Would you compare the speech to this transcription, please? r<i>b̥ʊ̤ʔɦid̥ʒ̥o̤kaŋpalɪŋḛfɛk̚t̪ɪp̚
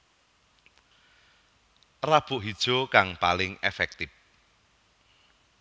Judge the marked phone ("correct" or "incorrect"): incorrect